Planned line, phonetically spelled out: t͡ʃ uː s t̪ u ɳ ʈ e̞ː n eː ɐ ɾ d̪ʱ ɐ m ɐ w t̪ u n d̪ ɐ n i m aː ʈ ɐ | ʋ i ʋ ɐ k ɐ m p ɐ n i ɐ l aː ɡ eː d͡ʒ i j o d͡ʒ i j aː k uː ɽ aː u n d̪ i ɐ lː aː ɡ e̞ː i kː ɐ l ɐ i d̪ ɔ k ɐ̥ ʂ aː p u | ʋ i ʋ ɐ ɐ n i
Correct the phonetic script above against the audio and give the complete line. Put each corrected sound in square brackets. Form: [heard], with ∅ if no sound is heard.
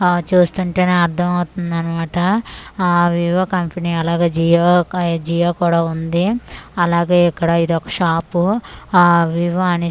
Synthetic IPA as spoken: t͡ʃ uː s t̪ u ɳ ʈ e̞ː n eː ɐ ɾ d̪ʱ ɐ m ɐ w t̪ u n d̪ ɐ n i m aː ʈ ɐ | ʋ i ʋ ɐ k ɐ m p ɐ n i ɐ l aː ɡ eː d͡ʒ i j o d͡ʒ i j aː k uː ɽ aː u n d̪ i ɐ [l] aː ɡ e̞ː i kː ɐ [ɽ] ɐ i d̪ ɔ k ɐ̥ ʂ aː p u | ʋ i ʋ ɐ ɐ n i